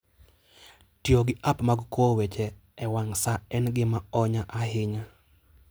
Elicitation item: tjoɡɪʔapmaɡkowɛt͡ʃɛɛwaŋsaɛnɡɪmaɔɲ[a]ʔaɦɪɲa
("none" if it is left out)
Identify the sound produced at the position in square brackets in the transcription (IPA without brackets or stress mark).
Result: a